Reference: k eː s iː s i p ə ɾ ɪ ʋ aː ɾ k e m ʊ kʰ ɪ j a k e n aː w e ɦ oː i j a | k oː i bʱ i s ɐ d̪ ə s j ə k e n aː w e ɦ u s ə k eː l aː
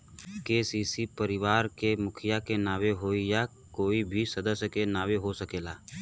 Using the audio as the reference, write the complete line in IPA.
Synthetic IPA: k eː s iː s i p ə ɾ ɪ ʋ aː ɾ k e m ʊ kʰ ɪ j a k e n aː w e ɦ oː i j a | k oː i bʱ i s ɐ d̪ ə s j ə k e n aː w e ɦ o s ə k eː l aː